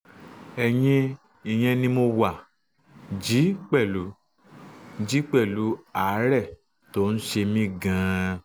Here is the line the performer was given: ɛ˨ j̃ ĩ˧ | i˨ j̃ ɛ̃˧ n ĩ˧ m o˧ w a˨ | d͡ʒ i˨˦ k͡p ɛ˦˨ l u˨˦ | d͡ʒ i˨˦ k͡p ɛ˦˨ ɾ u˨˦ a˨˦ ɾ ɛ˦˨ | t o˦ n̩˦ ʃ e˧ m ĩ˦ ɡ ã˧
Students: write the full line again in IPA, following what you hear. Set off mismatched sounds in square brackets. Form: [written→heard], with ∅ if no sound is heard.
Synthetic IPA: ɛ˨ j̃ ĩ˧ | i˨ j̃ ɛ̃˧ n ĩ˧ m o˧ w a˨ | d͡ʒ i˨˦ k͡p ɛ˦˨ l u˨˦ | d͡ʒ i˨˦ k͡p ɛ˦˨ [ɾ→l] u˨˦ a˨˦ ɾ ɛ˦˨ | t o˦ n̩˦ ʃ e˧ m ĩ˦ ɡ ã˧